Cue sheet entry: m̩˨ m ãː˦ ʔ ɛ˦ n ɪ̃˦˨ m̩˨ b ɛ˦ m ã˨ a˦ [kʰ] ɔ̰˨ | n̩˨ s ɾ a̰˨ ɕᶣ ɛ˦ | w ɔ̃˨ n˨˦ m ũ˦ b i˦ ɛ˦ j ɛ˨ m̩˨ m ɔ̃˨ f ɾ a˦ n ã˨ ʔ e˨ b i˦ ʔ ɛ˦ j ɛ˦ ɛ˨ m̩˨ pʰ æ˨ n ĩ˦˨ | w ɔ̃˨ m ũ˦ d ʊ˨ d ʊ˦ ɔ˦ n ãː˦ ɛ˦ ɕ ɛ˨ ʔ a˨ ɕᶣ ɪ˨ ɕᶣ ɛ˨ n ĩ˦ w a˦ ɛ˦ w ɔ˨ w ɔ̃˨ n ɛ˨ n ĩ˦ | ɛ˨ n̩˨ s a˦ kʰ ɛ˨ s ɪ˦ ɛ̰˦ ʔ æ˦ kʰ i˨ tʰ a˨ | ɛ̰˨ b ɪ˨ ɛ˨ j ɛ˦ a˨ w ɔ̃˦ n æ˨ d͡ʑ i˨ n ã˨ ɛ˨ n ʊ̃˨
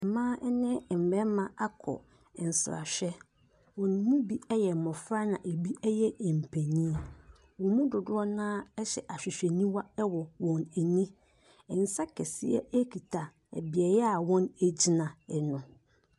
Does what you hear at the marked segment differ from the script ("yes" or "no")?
no